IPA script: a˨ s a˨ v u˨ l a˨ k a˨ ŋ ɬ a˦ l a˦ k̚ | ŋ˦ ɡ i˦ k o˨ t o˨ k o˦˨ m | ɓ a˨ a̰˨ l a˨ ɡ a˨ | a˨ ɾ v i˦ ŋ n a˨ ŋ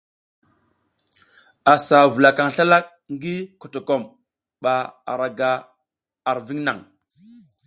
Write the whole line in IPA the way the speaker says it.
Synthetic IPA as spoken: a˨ s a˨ v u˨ l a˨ k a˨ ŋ ɬ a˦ l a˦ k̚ | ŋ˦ ɡ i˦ k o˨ t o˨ k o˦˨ m | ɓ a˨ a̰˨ ɾ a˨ ɡ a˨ | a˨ ɾ v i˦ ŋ n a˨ ŋ